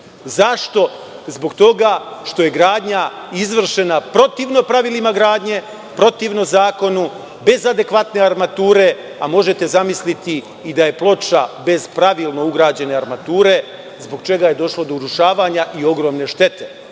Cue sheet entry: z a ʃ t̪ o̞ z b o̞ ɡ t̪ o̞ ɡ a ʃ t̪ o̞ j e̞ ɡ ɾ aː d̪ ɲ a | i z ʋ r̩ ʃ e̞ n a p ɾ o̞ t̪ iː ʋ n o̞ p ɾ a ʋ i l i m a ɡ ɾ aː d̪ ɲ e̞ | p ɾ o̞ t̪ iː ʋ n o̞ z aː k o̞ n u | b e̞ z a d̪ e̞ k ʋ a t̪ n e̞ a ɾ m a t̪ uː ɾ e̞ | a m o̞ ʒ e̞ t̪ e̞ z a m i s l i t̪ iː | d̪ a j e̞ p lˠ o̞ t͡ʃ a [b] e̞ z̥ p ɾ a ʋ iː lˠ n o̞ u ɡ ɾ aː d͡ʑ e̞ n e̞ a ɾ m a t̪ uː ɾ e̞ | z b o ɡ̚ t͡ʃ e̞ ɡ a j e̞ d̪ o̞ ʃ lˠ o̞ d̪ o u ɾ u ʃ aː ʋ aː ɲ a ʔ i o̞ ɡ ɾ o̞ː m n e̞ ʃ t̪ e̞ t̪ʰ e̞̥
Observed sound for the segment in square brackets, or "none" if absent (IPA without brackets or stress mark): b